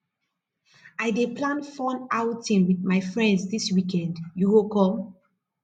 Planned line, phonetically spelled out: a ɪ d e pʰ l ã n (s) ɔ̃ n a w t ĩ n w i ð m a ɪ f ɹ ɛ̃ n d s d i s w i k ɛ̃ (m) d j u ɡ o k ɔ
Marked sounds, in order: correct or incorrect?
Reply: incorrect: f, incorrect: n

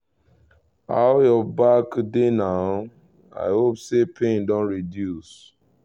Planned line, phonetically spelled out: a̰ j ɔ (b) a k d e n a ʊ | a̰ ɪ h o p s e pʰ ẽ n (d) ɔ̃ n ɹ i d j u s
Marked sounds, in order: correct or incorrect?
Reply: correct, correct

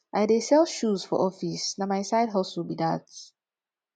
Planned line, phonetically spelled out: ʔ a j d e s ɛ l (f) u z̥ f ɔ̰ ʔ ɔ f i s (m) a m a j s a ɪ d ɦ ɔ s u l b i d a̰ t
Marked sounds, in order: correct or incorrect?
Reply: incorrect: ʃ, incorrect: n

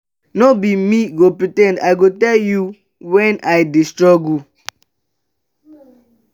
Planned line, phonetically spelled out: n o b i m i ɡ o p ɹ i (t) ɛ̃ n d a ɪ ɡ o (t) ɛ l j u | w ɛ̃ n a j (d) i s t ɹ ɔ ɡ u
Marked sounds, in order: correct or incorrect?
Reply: correct, correct, correct

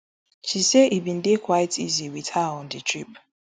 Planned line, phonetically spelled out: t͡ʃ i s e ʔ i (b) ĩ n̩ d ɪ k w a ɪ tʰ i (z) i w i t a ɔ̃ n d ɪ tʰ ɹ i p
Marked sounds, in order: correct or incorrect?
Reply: correct, correct

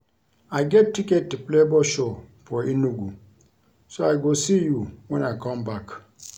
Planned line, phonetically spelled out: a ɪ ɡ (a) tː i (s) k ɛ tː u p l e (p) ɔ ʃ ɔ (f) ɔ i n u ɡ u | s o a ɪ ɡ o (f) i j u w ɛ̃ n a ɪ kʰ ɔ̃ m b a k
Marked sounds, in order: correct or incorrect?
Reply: incorrect: ɛ, incorrect: none, incorrect: b, correct, incorrect: s

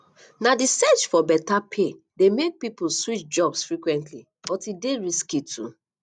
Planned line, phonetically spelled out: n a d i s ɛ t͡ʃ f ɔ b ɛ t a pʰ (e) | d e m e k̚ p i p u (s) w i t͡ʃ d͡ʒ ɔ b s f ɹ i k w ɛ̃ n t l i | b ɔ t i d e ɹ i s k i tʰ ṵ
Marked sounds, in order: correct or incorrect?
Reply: correct, correct

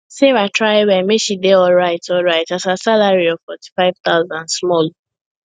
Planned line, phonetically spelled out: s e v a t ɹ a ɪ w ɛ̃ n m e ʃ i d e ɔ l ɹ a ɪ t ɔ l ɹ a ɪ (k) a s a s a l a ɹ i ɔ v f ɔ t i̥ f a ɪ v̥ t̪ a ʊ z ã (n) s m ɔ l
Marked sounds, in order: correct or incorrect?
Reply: incorrect: t, correct

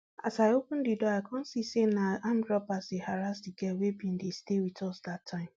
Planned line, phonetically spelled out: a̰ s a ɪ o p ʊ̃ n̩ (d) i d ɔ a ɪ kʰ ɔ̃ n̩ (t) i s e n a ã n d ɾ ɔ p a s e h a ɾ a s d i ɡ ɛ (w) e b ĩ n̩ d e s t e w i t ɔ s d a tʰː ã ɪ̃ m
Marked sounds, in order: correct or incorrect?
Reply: correct, incorrect: s, correct

